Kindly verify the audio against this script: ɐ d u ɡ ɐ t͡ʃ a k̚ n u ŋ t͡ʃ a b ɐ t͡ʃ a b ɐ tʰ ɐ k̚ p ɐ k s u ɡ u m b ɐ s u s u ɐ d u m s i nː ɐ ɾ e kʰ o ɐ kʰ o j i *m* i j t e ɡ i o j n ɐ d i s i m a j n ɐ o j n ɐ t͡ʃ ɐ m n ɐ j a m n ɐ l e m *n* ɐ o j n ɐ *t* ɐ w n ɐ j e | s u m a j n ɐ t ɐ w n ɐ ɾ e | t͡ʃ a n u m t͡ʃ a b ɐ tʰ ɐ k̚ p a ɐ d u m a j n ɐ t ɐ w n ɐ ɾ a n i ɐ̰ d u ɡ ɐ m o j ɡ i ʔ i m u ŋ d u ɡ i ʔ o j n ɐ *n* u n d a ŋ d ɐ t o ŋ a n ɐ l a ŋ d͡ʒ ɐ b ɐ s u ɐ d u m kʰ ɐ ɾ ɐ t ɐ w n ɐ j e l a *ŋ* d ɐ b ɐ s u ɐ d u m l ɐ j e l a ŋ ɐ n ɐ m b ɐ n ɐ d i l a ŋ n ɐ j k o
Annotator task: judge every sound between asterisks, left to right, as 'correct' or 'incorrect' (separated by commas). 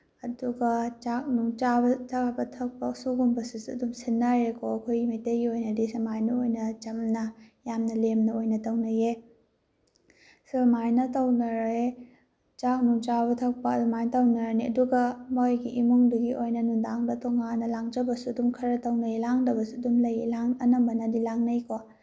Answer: correct, correct, correct, correct, correct